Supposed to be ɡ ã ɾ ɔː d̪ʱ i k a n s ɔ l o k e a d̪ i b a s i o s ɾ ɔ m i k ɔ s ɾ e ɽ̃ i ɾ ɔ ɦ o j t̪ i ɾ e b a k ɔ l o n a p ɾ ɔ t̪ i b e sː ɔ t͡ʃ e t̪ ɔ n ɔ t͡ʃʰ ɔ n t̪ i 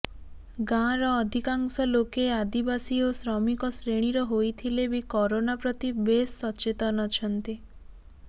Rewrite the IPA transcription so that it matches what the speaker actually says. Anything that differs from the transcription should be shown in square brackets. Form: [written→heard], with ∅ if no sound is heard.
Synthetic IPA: ɡ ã ɾ ɔː d̪ʱ i k a [n→ŋ] s ɔ l o k e a d̪ i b a s i o s ɾ ɔ m i k ɔ s ɾ e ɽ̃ i ɾ ɔ ɦ o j [t̪→t̪ʰ] i [ɾ→l] e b [a→i] k ɔ [l→ɾ] o n a p ɾ ɔ t̪ i b e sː ɔ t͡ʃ e t̪ ɔ n ɔ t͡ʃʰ ɔ n t̪ i